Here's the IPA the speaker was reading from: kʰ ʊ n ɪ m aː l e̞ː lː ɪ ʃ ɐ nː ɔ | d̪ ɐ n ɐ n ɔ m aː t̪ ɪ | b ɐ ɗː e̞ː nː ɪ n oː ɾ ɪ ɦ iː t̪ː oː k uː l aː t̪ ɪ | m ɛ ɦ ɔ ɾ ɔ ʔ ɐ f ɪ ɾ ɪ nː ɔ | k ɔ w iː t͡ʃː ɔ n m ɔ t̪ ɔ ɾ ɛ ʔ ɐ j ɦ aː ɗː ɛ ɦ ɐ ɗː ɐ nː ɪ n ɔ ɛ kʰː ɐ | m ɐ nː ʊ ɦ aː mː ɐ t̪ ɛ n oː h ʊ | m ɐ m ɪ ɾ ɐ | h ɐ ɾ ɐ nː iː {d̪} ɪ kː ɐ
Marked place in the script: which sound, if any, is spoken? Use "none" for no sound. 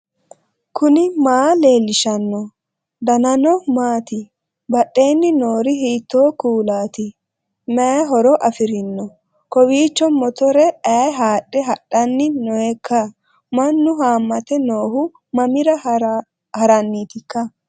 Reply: t̪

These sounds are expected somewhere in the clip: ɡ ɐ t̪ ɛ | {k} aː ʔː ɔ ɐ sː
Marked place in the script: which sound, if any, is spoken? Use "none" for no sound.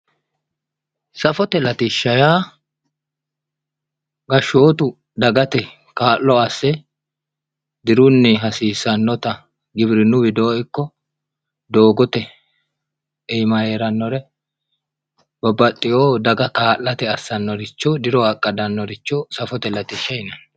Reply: k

